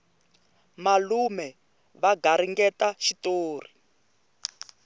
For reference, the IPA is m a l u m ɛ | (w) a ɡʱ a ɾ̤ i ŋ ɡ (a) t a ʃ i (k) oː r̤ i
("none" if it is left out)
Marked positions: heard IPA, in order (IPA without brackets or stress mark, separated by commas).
β, ɛ, t